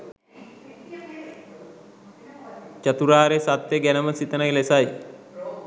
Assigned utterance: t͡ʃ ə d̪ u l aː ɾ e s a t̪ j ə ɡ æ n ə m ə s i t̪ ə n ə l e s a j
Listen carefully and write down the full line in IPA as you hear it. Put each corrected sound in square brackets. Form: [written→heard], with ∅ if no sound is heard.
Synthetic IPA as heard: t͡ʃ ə [d̪→t̪] u [l→ɾ] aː ɾ e s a t̪ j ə ɡ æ n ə m ə s i t̪ ə n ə l e s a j